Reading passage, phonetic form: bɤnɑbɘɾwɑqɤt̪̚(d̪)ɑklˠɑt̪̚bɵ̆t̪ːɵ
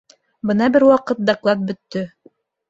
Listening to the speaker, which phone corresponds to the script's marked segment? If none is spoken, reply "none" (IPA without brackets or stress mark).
d̪